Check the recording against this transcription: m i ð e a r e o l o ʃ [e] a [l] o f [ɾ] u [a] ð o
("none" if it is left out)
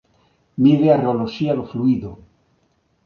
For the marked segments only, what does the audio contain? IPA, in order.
i, l, l, i

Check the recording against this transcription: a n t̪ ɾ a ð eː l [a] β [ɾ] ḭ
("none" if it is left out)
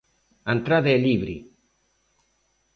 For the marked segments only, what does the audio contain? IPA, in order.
i, ɾ

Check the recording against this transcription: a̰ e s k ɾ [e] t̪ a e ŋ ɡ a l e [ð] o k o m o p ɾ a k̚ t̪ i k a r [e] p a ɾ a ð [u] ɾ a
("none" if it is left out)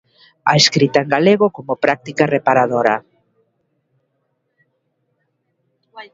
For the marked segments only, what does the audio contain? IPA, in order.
i, ɣ, e, o

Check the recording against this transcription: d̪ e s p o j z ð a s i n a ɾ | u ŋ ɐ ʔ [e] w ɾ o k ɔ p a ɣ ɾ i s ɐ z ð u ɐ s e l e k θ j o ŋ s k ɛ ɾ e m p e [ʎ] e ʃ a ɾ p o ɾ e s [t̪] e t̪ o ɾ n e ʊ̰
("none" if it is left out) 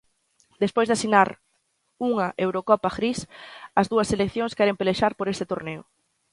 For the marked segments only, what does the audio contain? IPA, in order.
e, l, t̪

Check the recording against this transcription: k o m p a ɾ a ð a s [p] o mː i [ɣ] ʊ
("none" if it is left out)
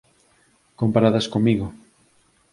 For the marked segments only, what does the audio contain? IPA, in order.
k, ɣ

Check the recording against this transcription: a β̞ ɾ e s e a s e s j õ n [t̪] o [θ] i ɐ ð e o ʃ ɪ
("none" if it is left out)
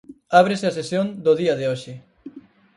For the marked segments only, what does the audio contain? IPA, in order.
d̪, ð

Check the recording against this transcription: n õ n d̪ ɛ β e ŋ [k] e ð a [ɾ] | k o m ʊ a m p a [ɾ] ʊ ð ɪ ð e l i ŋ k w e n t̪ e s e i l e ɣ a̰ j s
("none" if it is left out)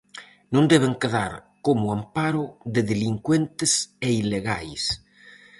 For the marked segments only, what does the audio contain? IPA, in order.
k, ɾ, ɾ

